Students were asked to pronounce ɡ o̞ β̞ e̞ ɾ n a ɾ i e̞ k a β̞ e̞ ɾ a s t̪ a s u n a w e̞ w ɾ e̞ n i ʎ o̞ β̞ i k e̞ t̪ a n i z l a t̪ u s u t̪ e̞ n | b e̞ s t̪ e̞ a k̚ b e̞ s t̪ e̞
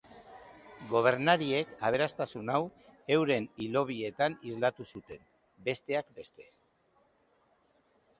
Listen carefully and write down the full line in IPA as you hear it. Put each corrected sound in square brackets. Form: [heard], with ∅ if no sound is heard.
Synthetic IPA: ɡ o̞ β̞ e̞ ɾ n a ɾ i e̞ k a β̞ e̞ ɾ a s t̪ a s u n a w e̞ w ɾ e̞ n i [l] o̞ β̞ i [∅] e̞ t̪ a n i z l a t̪ u s u t̪ e̞ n | b e̞ s t̪ e̞ a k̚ b e̞ s t̪ e̞